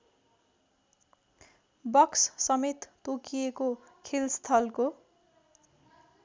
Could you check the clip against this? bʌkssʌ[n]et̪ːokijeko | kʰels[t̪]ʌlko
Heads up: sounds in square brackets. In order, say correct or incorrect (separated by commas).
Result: incorrect, incorrect